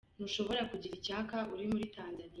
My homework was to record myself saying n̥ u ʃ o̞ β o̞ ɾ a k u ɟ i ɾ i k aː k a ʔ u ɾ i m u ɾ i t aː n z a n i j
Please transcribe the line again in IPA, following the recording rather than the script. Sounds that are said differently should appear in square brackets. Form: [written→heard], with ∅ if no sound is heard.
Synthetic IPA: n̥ u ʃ o̞ β o̞ ɾ a k u ɟ i ɾ i [k→c] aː k a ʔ u ɾ i m u ɾ i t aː n z a n i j

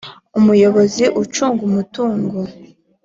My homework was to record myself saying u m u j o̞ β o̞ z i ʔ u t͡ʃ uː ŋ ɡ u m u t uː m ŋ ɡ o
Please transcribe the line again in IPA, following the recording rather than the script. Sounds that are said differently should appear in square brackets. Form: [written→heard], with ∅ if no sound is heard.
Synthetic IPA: u m u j o̞ β o̞ z i ʔ u t͡ʃ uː ŋ ɡ u m u t uː [m→∅] ŋ ɡ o

